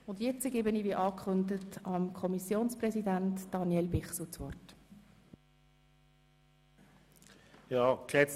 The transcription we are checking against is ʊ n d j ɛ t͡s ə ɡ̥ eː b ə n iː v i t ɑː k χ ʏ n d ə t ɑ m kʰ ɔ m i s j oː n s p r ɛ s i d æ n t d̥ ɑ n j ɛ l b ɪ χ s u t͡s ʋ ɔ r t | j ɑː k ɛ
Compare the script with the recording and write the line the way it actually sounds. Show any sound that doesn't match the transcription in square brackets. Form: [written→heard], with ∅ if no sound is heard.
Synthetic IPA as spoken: ʊ n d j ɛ t͡s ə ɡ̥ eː b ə n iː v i [t→ʔ] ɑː k χ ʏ n d ə t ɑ m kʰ ɔ m i s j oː n s p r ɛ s i d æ n t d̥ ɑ n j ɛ l b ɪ χ s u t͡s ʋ ɔ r t | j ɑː k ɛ